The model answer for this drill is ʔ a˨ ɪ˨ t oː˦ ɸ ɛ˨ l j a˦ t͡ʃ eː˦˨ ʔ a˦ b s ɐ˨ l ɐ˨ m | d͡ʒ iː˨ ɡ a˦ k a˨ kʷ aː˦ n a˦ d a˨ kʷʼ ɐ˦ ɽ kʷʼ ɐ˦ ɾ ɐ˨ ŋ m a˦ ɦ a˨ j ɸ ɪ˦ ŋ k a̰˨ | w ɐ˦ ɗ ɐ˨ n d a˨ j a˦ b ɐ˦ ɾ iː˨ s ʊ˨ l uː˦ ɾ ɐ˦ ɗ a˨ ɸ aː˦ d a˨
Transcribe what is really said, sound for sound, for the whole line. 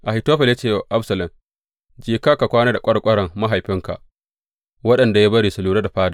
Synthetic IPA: ʔ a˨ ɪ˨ t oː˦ ɸ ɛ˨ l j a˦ t͡ʃ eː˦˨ ʔ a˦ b s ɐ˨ l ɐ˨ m | d͡ʒ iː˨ k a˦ k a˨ kʷ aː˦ n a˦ d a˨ kʷʼ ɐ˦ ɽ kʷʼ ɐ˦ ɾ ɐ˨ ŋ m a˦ ɦ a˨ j ɸ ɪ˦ ŋ k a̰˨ | w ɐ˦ ɗ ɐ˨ n d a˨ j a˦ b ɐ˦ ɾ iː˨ s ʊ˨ l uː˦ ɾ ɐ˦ d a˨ ɸ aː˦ d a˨

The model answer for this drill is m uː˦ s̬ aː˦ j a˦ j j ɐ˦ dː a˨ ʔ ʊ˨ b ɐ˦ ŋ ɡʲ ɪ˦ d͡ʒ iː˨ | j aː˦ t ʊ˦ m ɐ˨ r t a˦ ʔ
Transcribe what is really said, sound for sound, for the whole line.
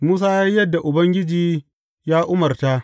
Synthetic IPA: m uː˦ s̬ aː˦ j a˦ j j ɐ˦ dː a˨ ʔ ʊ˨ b ɐ˦ ŋ ɡʲ ɪ˦ d͡ʒ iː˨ | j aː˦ ʔ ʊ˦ m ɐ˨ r t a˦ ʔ

